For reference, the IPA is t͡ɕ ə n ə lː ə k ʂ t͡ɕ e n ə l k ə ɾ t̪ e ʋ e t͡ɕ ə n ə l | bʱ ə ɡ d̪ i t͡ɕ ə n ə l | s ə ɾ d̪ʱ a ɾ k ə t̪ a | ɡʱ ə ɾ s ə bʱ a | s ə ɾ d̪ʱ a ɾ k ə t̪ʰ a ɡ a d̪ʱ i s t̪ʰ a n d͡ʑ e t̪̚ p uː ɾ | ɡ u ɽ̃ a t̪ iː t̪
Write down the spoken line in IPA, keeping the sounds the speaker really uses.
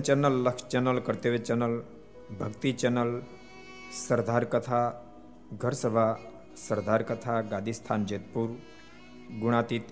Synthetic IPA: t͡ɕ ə n ə lː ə k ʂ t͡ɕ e n ə l k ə ɾ t̪ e ʋ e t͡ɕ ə n ə l | bʱ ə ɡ t̪ i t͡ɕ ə n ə l | s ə ɾ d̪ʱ a ɾ k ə t̪ʰ a | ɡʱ ə ɾ s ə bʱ a | s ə ɾ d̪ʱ a ɾ k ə t̪ʰ a ɡ a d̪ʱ i s t̪ʰ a n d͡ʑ e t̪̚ p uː ɾ | ɡ u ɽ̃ a t̪ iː t̪